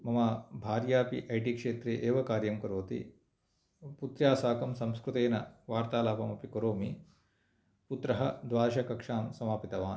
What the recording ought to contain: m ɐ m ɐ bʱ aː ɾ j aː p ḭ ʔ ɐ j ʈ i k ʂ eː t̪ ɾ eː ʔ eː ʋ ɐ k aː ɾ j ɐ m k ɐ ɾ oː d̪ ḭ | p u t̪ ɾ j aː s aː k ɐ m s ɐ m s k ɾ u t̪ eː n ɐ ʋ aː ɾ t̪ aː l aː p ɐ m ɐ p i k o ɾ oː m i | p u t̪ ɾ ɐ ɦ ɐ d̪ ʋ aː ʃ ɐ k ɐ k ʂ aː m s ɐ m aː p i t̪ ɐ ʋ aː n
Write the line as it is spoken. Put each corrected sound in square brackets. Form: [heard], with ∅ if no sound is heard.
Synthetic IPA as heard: m ɐ m ɐ bʱ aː ɾ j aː p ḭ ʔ ɐ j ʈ i k ʂ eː t̪ ɾ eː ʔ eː ʋ ɐ k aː ɾ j ɐ m k ɐ ɾ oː [t̪] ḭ | p u t̪ ɾ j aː s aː k ɐ m s ɐ m s k ɾ u t̪ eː n ɐ ʋ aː ɾ t̪ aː l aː p ɐ m ɐ p i k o ɾ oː m i | p u t̪ ɾ ɐ ɦ ɐ d̪ ʋ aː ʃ ɐ k ɐ k ʂ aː m s ɐ m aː p i t̪ ɐ ʋ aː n